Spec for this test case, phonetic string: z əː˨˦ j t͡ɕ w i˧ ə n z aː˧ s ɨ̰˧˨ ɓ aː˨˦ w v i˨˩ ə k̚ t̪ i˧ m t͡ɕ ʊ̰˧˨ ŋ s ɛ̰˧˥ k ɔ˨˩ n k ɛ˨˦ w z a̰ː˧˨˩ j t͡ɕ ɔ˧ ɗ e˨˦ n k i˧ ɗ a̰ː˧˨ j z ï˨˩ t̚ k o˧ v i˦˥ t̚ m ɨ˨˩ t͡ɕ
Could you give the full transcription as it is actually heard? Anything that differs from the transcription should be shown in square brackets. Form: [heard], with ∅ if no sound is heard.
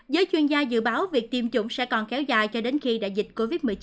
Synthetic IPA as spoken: z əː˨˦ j t͡ɕ w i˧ ə n z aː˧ [z] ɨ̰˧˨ ɓ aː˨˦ w v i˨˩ ə k̚ t̪ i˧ m t͡ɕ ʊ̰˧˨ [ŋ͡m] s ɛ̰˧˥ k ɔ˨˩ n k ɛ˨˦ w z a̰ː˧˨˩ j t͡ɕ ɔ˧ ɗ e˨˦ n [x] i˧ ɗ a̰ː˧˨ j z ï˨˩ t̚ k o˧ v i˦˥ t̚ m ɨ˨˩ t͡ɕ